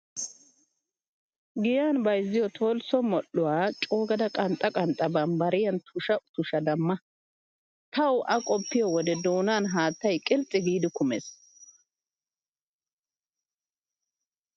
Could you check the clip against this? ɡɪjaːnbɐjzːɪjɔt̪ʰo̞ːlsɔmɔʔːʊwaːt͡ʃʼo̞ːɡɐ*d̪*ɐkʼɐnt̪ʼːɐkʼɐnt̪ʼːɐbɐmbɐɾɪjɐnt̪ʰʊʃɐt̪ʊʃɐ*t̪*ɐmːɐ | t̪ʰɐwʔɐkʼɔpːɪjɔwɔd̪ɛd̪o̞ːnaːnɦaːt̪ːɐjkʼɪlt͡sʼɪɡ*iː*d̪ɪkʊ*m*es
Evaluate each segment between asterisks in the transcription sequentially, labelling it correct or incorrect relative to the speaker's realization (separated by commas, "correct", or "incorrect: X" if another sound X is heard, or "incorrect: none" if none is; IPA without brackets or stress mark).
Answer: correct, incorrect: d̪, correct, correct